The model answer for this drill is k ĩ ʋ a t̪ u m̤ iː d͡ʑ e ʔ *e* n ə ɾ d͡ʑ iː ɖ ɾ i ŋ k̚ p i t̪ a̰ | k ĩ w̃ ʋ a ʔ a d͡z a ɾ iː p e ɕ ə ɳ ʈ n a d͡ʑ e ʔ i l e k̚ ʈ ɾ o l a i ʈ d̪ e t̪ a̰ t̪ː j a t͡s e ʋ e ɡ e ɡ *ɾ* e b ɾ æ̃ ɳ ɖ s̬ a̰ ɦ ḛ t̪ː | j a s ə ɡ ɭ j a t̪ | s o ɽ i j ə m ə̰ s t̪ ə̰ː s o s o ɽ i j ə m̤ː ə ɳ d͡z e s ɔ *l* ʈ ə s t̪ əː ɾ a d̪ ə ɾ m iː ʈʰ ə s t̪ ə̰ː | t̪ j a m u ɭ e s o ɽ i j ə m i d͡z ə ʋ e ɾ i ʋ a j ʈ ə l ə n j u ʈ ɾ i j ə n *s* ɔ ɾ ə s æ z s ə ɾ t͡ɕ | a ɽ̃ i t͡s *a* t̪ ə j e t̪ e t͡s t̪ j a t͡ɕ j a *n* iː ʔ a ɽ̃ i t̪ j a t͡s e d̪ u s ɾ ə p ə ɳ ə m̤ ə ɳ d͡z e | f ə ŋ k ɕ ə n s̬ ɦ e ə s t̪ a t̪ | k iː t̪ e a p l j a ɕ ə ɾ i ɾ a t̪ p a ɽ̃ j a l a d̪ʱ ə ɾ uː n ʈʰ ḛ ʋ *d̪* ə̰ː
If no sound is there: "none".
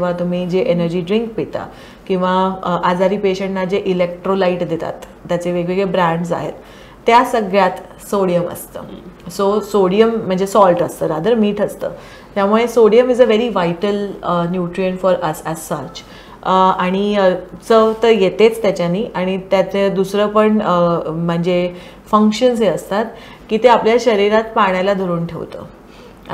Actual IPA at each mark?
e, ɭ, l, f, ə, n, t̪

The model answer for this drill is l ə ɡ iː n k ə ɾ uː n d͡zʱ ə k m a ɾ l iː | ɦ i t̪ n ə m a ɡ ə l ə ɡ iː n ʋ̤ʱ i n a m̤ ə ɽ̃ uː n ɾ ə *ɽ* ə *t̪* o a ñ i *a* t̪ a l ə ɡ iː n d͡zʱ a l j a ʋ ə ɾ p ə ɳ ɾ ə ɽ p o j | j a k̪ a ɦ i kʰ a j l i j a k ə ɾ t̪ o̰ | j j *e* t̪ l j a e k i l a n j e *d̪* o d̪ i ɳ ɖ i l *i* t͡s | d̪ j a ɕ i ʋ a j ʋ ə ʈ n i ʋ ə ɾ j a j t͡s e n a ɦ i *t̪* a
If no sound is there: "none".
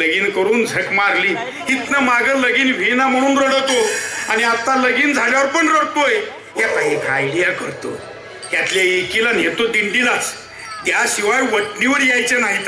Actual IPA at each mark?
ɽ, t̪, a, a, t̪, a, t̪

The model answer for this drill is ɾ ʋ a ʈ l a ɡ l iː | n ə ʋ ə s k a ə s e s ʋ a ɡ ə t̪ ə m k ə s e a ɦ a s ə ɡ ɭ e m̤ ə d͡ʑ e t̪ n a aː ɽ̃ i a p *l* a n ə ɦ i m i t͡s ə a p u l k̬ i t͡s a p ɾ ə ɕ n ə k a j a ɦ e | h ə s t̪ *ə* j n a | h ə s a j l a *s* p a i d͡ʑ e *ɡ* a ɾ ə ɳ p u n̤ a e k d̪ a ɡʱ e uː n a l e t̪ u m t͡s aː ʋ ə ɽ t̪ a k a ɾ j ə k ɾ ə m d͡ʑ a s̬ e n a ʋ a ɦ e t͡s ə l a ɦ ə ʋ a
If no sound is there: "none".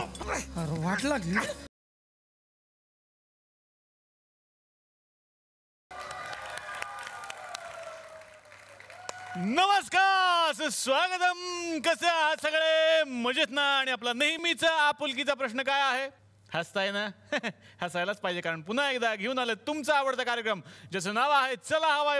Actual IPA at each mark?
l, a, t͡s, k

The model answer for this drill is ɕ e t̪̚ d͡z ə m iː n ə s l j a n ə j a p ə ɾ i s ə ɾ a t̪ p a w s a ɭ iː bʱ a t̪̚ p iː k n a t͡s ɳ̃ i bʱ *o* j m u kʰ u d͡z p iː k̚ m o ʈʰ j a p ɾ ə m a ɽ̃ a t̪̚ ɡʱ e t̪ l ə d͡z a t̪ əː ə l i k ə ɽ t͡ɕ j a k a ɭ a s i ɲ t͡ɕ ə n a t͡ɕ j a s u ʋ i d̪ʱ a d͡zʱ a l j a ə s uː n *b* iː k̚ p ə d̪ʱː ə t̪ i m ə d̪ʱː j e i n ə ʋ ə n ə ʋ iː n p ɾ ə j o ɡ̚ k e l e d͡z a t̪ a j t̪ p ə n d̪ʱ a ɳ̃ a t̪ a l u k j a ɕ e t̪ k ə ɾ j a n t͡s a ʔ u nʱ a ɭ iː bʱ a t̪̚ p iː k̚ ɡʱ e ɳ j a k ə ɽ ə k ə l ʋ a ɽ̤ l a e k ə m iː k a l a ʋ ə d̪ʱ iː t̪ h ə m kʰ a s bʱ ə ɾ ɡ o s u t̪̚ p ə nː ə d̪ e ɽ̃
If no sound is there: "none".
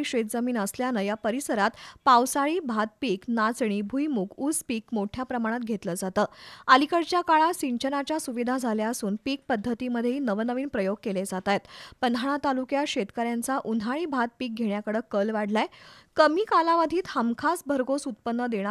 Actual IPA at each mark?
u, p

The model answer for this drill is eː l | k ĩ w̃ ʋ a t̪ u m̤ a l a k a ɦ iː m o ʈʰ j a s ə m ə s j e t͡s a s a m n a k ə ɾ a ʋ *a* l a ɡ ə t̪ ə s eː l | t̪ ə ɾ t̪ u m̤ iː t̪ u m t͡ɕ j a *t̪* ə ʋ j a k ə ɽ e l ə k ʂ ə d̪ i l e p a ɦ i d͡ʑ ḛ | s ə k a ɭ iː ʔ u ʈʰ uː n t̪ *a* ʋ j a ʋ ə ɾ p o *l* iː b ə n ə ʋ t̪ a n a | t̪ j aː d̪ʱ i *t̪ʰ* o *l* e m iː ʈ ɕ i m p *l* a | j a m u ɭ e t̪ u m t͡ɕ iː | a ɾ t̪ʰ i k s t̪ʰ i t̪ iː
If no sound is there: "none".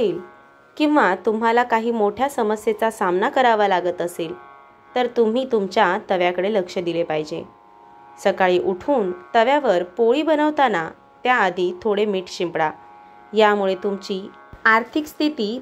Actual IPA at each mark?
a, t̪, ə, ɭ, t̪ʰ, ɽ, ɽ

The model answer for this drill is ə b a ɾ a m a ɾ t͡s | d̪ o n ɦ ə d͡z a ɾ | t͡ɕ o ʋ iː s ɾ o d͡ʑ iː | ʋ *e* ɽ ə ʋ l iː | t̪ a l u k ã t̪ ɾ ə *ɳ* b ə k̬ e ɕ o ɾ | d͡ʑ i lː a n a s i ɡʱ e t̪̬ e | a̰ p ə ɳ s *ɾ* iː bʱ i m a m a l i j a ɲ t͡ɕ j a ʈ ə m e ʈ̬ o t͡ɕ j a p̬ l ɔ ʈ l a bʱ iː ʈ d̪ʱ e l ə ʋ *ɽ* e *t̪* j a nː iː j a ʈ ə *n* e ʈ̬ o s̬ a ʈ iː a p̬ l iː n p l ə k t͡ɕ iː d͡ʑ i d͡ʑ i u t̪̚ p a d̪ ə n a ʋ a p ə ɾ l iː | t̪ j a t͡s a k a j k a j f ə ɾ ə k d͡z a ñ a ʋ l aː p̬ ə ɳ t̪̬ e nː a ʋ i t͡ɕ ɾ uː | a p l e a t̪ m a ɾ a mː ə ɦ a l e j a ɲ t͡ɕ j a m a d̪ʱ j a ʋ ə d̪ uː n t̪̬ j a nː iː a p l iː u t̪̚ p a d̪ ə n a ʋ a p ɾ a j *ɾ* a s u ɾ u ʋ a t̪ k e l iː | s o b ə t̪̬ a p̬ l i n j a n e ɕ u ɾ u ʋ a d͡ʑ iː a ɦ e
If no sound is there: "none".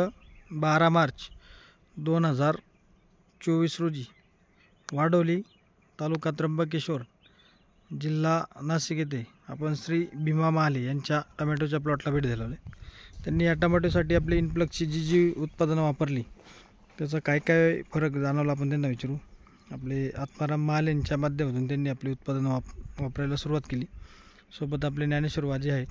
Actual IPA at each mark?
a, m, ɾ, l, t̪, m, l

